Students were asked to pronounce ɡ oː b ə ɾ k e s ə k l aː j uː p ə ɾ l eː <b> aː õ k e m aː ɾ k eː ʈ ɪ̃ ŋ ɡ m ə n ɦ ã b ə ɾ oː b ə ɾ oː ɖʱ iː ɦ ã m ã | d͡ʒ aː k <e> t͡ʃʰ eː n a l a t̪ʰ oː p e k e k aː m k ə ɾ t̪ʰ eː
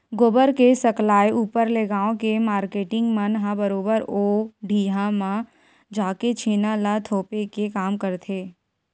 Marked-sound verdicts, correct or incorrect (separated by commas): incorrect, correct